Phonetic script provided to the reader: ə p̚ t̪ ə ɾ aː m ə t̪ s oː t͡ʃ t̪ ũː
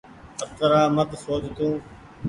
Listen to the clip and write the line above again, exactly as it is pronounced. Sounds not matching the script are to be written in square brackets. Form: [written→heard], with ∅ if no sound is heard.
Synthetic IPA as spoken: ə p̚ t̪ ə ɾ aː m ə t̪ s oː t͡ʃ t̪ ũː

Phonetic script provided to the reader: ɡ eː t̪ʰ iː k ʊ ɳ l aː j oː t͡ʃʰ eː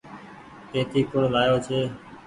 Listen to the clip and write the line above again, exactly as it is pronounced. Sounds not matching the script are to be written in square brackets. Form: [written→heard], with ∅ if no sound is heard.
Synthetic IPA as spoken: [ɡ→k] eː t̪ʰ iː k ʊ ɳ l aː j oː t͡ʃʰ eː

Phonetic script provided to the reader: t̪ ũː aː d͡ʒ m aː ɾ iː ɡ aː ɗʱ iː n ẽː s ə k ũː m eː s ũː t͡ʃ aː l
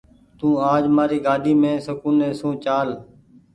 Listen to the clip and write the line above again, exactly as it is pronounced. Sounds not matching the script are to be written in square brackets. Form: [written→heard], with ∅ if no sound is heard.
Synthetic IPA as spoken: t̪ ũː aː d͡ʒ m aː ɾ iː ɡ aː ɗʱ iː [n→m] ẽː s ə k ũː [m→n] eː s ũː t͡ʃ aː l

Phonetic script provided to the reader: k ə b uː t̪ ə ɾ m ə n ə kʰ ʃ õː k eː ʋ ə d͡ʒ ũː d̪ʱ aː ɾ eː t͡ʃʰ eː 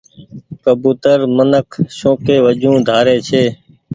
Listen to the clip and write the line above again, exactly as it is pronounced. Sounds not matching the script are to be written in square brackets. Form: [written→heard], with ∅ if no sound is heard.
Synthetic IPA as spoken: k ə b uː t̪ ə ɾ m ə n ə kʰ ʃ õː k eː ʋ ə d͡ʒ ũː d̪ʱ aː ɾ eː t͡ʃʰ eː

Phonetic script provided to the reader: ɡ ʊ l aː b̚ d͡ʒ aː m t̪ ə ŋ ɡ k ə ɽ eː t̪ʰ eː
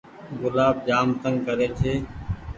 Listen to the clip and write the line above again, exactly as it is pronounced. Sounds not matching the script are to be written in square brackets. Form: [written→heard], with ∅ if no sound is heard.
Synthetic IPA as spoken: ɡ ʊ l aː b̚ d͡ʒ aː m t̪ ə ŋ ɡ k ə [ɽ→ɾ] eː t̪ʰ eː

